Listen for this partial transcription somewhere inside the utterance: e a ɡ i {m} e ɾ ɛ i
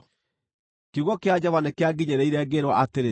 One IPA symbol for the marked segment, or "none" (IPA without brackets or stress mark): ɲ